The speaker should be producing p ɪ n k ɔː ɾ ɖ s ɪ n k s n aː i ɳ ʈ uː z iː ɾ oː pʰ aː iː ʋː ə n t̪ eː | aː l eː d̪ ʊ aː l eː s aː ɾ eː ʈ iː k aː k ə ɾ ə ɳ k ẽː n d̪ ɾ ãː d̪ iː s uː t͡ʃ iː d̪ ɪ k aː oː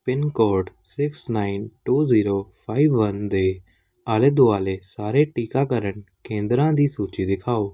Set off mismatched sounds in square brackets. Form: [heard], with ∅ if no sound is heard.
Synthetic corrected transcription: p ɪ n k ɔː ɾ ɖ s ɪ [∅] k s n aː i [n] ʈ uː z iː ɾ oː pʰ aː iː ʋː ə n [d̪] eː | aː l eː d̪ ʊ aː l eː s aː ɾ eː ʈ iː k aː k ə ɾ ə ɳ k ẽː n d̪ ɾ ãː d̪ iː s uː t͡ʃ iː d̪ ɪ [kʰ] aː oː